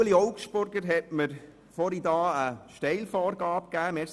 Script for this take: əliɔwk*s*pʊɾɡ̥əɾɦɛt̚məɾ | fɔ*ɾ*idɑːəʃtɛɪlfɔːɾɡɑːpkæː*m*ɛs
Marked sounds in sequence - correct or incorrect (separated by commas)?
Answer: incorrect, correct, correct